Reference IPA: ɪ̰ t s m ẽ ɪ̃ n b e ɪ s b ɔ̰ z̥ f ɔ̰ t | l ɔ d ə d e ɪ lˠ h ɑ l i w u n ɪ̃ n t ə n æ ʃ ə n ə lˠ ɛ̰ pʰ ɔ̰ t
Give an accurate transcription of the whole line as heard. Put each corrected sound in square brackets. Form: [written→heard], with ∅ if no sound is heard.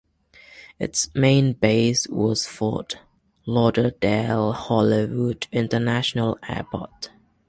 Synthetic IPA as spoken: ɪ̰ t s m ẽ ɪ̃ n b e ɪ s [b→w] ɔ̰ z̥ f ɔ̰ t | l ɔ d ə d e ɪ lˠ h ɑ l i w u [n→d] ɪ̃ n t ə n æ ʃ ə n ə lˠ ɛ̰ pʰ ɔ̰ t

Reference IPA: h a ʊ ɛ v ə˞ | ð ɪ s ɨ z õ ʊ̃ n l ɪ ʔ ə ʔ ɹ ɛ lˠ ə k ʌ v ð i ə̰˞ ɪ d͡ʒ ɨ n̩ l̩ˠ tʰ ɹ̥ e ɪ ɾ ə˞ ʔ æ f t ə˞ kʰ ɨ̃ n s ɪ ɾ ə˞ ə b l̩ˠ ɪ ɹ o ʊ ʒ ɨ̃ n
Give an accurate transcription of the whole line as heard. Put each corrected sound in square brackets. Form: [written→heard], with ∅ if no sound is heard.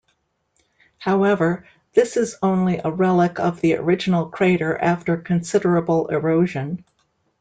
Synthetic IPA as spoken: h a ʊ ɛ v ə˞ | ð ɪ s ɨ z õ ʊ̃ n l [ɪ→i] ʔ ə [ʔ→∅] ɹ ɛ lˠ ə k ʌ v ð i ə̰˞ ɪ d͡ʒ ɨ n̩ l̩ˠ [tʰ→kʰ] ɹ̥ e ɪ ɾ ə˞ ʔ æ f t ə˞ kʰ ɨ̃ n s ɪ ɾ ə˞ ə b l̩ˠ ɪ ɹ o ʊ ʒ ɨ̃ n

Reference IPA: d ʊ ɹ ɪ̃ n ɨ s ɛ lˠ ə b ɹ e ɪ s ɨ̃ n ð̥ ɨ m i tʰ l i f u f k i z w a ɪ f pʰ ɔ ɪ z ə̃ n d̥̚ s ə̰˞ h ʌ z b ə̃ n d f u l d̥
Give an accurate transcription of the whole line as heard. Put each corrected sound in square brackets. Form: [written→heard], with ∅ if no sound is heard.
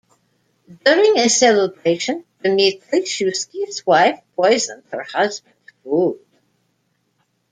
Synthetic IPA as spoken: d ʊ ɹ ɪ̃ [n→ŋ] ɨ s ɛ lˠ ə b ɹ e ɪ [s→ʃ] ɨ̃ n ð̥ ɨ m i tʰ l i [f→ʃ] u [f→s] k i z w a ɪ f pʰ ɔ ɪ z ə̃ n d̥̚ [s→h] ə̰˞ h ʌ z b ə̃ n d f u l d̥

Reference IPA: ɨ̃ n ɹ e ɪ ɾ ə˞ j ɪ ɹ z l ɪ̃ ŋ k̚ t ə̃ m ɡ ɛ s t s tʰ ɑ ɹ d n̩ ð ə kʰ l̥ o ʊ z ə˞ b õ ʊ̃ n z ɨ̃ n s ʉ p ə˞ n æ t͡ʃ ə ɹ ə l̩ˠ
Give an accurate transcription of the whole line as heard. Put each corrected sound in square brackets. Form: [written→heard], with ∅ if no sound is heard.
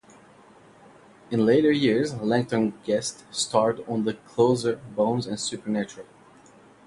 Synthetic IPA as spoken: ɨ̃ n [ɹ→l] e ɪ ɾ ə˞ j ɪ ɹ z l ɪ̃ ŋ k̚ t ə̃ [m→n] ɡ ɛ s t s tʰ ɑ ɹ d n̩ ð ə kʰ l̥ o ʊ z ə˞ b õ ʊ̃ n z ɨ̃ n s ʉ p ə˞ n æ t͡ʃ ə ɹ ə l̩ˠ

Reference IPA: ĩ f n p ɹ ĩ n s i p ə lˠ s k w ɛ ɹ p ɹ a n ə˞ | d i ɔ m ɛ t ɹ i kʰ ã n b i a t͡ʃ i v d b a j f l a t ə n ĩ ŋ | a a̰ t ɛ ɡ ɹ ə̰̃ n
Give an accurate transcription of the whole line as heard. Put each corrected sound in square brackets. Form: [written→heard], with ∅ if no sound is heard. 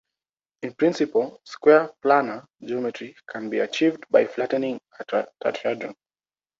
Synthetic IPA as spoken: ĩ [f→∅] n p ɹ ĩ n s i p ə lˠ s k w ɛ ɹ p [ɹ→l] a n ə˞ | [d→d͡ʒ] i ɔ m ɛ t ɹ i kʰ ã n b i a t͡ʃ i v d b a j f l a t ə n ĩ ŋ | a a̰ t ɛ [ɡ→d] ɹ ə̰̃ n

